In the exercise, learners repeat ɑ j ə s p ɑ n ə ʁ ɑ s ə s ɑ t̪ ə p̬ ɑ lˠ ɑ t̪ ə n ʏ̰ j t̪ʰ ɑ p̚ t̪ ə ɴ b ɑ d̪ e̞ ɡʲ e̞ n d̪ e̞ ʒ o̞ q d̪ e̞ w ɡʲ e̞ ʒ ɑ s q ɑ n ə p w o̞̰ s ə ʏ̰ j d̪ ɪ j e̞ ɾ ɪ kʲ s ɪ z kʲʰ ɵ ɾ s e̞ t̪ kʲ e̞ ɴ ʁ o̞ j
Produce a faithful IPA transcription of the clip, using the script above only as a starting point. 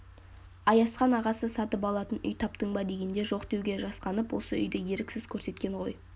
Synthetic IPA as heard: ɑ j ɑ s q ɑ n ɑ ʁ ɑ s ə s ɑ t̪ ə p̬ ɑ lˠ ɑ t̪ ə n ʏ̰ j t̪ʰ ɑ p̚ t̪ ə ɴ b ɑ d̪ e̞ ɡʲ e̞ n d̪ e̞ ʒ o̞ q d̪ e̞ w ɡʲ e̞ ʒ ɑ s q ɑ n ə p w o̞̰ s ə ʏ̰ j d̪ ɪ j e̞ ɾ ɪ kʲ s ɪ z kʲʰ ɵ ɾ s e̞ t̪ kʲ e̞ ɴ ʁ o̞ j